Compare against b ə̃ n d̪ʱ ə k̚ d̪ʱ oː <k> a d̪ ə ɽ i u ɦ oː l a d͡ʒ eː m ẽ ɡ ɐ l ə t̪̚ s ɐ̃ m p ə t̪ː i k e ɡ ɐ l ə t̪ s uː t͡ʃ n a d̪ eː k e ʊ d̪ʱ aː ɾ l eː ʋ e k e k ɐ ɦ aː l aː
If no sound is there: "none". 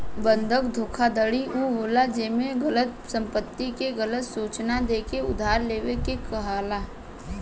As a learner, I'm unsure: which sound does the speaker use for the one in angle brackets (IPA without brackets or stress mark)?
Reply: kʰ